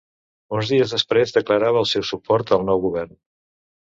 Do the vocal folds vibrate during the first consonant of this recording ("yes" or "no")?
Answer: yes